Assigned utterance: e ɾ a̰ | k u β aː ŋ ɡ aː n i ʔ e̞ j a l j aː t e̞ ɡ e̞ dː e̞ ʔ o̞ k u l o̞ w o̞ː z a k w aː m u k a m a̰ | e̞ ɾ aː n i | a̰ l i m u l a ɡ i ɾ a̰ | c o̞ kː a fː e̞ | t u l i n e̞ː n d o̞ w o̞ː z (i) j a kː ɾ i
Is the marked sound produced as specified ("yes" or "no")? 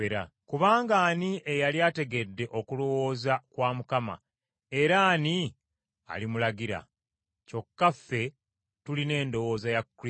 no